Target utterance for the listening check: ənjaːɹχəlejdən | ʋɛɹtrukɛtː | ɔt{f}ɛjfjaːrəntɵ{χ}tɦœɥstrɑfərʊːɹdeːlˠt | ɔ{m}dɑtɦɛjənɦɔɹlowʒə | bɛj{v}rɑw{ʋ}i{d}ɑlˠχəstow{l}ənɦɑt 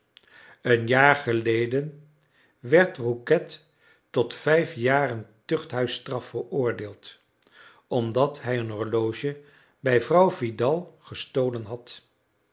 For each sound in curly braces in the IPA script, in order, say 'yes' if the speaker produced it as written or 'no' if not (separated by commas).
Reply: yes, yes, yes, yes, no, yes, yes